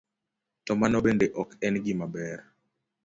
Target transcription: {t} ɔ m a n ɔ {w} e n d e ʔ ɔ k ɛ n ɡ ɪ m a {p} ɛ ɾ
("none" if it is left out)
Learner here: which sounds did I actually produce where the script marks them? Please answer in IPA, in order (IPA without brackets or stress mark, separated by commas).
t, b, b